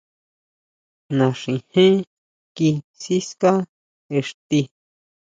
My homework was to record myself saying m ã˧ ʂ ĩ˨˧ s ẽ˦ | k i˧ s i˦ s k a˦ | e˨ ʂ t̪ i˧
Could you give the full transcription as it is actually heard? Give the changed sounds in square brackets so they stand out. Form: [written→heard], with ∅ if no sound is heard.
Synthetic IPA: [m→n] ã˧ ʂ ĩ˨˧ [s→h] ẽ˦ | k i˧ s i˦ s k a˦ | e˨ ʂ t̪ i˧